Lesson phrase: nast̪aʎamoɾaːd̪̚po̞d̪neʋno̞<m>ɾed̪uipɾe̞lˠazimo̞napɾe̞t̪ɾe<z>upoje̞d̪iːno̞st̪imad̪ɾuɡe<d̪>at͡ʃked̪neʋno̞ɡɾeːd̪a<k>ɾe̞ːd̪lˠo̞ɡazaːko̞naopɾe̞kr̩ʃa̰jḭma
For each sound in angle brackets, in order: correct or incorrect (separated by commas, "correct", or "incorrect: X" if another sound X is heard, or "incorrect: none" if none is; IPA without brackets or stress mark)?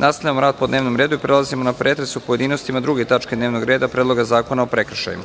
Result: correct, incorrect: s, incorrect: t̪, incorrect: p